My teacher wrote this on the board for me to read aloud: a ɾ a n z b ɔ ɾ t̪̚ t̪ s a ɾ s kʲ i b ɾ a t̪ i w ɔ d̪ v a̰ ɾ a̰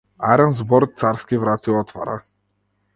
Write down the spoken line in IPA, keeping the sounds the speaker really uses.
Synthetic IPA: a ɾ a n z b ɔ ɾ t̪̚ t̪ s a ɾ s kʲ i v ɾ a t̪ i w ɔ t̪ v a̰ ɾ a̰